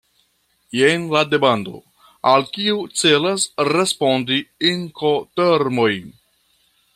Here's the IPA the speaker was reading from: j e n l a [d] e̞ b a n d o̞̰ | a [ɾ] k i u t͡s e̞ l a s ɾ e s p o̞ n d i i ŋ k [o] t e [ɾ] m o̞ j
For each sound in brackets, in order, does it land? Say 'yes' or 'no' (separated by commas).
yes, no, yes, yes